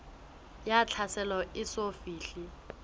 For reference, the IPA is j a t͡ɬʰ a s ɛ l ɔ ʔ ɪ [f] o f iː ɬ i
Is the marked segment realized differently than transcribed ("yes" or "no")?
yes